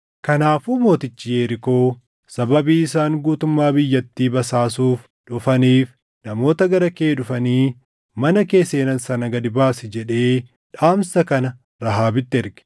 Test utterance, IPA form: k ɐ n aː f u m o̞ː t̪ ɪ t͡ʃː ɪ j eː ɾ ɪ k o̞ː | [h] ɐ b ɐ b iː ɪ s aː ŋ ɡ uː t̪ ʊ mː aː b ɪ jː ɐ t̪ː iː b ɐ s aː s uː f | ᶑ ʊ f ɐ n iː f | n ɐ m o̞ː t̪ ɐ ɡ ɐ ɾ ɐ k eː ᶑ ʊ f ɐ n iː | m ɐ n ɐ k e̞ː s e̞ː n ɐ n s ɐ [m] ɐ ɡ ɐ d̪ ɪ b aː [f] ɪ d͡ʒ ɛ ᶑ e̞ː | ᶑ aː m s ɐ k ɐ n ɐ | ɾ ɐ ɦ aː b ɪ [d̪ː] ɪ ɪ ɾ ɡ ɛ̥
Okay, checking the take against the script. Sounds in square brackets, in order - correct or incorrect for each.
incorrect: s, incorrect: n, incorrect: s, incorrect: t̪ː

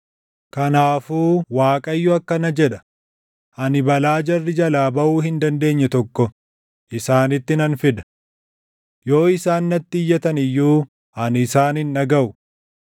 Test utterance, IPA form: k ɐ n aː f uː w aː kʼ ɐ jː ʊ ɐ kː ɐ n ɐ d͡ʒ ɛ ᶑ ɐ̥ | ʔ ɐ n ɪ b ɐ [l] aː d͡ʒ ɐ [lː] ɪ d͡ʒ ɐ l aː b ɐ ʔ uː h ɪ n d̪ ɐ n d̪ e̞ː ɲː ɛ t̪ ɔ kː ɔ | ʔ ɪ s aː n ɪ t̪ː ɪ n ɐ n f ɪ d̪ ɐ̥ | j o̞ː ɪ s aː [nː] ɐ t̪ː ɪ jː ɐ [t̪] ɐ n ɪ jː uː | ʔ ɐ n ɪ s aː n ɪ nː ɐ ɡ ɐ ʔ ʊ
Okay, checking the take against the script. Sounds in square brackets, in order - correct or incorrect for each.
correct, incorrect: rː, correct, correct

